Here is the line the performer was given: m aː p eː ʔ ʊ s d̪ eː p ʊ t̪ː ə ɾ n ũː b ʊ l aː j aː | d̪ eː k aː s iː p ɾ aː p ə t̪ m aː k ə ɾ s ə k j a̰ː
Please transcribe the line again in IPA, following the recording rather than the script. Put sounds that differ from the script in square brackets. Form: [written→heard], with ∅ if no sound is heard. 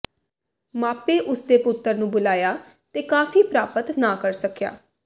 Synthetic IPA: m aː p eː ʔ ʊ s d̪ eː p ʊ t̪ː ə ɾ n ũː b ʊ l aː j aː | [d̪→t̪] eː k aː [s→f] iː p ɾ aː p ə t̪ [m→n] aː k ə ɾ s ə k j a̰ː